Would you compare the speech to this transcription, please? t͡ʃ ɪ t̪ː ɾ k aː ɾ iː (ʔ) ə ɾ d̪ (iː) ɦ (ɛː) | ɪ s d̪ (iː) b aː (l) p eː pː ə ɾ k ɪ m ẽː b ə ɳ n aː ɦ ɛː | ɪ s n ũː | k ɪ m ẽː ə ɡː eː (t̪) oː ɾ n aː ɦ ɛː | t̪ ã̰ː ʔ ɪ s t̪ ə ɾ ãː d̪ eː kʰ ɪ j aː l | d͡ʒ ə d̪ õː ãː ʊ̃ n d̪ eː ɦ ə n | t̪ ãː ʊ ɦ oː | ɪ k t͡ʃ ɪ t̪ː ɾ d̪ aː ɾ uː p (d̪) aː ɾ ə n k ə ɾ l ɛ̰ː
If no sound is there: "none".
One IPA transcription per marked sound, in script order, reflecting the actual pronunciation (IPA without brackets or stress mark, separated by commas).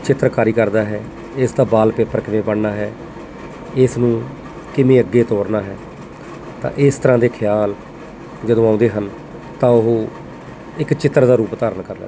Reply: k, aː, ɛː, aː, l, t̪, t̪